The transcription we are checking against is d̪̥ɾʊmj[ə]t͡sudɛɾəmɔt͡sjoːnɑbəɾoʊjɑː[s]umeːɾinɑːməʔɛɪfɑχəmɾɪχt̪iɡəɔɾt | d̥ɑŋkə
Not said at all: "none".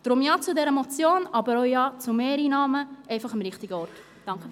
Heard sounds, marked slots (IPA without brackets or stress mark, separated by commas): ɑ, t͡s